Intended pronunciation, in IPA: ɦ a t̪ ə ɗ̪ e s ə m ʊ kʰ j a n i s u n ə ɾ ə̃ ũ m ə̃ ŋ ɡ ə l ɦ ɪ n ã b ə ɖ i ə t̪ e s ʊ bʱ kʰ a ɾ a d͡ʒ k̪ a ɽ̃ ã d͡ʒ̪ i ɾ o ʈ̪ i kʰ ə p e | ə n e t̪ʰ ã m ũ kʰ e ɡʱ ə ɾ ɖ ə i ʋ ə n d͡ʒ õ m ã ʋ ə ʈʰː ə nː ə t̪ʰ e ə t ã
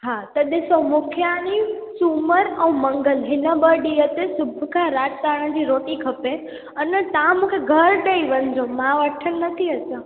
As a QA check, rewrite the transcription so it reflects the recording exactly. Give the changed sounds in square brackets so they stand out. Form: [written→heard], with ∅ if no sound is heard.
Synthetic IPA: ɦ a t̪ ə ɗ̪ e s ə m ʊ kʰ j a n i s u [n→m] ə ɾ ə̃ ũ m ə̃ ŋ ɡ ə l ɦ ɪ n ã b ə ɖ i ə t̪ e s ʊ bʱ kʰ a ɾ a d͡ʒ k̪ a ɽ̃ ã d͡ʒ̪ i ɾ o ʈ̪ i kʰ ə p e | ə n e [t̪ʰ→t̪] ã m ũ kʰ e ɡʱ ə ɾ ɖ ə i ʋ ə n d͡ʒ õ m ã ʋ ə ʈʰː ə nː ə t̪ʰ [e→i] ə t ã